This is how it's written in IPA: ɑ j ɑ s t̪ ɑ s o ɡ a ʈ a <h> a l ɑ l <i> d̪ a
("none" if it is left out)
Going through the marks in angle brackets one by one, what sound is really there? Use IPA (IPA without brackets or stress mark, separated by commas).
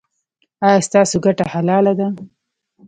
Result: h, a